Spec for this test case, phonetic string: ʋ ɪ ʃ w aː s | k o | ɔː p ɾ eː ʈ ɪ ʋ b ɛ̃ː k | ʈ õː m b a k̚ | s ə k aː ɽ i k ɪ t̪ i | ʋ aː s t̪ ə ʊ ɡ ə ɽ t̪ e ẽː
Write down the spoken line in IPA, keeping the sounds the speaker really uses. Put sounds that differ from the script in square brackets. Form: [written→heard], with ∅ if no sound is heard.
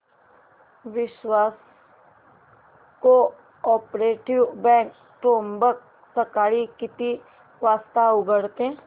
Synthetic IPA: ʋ ɪ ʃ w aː s | k o | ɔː p ɾ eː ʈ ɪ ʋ b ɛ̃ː k | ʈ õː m b [a→ə] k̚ | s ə k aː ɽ i k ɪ t̪ i | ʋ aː s t̪ [ə→a] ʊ ɡ ə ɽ t̪ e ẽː